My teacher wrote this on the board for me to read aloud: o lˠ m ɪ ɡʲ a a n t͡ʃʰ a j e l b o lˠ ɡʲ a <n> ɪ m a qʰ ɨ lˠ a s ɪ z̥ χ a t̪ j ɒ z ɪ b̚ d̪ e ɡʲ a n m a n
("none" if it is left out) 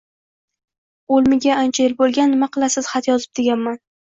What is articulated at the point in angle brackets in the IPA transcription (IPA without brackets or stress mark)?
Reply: nː